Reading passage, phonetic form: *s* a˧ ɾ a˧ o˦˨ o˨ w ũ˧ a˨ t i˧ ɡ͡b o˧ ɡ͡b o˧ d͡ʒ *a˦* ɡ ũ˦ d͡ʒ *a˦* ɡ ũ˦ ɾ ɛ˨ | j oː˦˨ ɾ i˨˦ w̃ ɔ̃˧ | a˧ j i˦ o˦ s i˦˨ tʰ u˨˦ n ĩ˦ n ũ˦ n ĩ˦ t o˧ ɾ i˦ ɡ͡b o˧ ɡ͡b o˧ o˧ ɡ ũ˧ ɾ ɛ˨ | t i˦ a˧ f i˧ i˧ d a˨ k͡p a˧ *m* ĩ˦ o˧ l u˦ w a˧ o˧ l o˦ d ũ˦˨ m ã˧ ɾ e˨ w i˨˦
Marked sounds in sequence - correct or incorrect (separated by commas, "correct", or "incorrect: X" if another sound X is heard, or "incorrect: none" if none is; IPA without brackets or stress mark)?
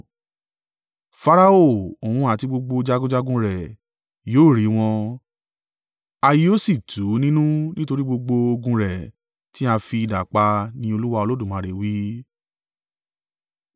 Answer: incorrect: f, correct, correct, incorrect: n